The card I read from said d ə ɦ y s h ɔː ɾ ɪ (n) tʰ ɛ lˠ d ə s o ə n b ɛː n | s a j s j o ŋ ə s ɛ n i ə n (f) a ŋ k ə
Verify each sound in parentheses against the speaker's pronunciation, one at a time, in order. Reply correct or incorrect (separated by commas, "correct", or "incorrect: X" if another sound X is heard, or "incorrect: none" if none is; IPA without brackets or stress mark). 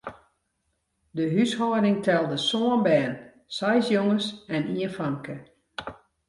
incorrect: ŋ, correct